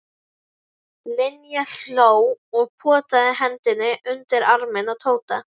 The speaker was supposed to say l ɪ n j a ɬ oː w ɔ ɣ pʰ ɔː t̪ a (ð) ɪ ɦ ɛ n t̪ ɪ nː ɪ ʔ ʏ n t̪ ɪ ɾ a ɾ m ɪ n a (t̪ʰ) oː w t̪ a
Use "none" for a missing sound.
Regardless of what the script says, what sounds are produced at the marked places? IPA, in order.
ð, t̪ʰ

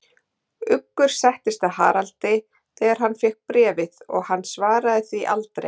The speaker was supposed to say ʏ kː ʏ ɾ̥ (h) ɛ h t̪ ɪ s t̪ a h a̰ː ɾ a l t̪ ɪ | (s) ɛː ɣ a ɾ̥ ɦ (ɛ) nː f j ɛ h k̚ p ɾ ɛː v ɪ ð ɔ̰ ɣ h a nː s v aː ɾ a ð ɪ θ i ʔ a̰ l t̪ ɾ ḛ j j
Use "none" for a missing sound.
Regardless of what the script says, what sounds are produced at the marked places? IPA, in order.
s, θ, a

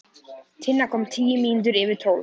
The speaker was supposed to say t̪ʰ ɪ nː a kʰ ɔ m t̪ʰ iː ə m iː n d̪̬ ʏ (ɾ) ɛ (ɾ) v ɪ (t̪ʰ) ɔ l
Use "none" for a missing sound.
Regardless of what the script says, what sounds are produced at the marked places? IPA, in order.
ɾ, none, t̪ʰ

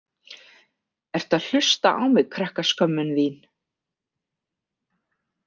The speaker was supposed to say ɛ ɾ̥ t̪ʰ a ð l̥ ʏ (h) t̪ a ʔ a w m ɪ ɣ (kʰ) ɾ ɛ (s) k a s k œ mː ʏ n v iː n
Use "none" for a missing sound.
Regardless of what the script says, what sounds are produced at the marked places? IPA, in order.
s, kʰ, h

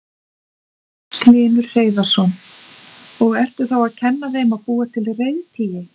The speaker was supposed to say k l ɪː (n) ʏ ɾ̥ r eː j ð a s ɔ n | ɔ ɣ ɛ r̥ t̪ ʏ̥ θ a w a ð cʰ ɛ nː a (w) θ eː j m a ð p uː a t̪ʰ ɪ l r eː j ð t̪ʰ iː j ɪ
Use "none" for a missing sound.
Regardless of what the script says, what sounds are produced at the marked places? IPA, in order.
n, none

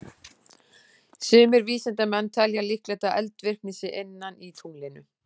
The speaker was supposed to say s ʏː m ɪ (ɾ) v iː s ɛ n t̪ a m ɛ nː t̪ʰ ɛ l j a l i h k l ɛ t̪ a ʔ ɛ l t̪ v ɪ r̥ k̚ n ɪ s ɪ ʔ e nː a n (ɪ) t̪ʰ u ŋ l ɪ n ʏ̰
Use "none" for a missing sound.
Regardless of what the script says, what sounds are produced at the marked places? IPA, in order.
ɾ, i

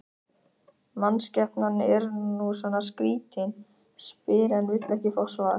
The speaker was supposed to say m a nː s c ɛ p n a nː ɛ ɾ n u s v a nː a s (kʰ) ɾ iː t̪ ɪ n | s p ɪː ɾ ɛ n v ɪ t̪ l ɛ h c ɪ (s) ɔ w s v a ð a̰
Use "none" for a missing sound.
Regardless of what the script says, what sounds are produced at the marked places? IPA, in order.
k, f

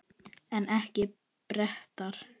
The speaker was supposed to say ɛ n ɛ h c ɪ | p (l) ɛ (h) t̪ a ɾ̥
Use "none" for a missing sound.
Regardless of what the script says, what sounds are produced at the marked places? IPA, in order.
ɾ, h

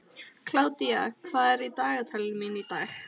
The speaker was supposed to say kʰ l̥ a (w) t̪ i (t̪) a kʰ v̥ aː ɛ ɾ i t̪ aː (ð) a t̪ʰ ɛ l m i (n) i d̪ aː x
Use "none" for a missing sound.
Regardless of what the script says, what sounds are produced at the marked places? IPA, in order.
w, none, ɣ, n

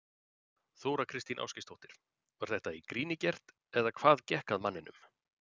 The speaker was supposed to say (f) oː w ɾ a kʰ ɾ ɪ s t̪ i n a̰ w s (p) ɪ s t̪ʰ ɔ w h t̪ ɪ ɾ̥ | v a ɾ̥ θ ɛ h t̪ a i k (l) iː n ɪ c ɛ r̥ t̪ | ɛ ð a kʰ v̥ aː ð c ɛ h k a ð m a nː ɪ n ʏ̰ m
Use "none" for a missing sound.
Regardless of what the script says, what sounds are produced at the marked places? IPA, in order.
θ, c, ɾ

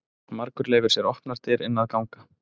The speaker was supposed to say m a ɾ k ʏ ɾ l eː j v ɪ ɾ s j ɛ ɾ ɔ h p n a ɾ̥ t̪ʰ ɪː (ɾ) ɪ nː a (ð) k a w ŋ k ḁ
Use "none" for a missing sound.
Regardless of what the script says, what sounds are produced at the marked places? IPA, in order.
ɾ, ð

